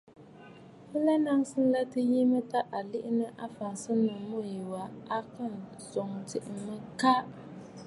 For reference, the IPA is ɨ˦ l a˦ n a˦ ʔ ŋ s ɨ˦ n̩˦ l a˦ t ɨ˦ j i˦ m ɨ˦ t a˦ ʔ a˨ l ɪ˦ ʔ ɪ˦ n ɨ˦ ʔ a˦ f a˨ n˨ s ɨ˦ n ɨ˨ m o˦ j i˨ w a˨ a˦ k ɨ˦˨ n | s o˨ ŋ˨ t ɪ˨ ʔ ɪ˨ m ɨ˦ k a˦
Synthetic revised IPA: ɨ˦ l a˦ n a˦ ŋ s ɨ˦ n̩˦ l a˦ t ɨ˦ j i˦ m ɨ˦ t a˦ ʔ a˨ l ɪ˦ ʔ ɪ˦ n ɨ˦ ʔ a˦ f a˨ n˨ s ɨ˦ n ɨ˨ m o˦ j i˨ w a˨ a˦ k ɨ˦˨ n | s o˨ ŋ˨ t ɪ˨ ʔ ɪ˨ m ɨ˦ k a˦